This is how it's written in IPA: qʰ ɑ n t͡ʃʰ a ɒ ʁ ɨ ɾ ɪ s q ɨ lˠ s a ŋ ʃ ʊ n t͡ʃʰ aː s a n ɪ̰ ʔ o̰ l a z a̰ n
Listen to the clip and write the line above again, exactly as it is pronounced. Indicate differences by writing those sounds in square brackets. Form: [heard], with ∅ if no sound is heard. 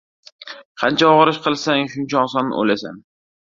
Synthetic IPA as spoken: qʰ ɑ n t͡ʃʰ a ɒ ʁ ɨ ɾ ɪ [ʃ] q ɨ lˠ s a ŋ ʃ ʊ n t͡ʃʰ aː s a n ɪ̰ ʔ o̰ l a [s] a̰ n